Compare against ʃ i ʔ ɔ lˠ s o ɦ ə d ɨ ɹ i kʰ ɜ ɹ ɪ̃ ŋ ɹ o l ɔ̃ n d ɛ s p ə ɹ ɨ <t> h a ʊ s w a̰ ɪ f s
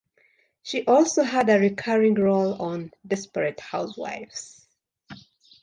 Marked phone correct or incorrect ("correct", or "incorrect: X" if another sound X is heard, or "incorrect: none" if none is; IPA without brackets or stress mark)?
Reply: correct